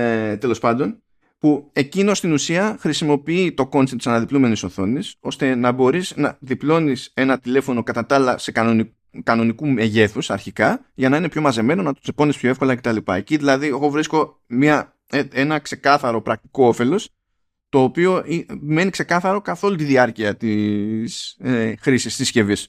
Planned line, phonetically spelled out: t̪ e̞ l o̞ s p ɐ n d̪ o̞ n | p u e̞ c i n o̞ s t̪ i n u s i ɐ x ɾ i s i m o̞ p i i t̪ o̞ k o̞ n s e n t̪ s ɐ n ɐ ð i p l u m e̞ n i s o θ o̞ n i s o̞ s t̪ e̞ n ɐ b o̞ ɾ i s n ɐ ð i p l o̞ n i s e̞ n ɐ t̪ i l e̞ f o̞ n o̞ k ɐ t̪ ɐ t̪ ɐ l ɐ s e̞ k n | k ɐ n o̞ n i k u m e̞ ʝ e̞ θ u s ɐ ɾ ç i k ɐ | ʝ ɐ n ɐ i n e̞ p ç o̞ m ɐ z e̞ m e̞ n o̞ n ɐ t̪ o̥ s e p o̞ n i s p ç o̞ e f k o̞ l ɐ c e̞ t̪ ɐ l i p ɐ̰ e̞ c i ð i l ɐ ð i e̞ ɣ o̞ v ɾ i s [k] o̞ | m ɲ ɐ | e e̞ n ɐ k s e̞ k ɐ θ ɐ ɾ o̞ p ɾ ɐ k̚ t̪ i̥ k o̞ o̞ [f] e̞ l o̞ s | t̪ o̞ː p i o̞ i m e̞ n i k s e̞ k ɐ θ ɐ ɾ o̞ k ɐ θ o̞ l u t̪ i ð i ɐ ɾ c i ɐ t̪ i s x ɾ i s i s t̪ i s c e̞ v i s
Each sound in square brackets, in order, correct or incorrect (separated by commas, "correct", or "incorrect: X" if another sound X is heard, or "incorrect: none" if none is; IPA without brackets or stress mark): correct, correct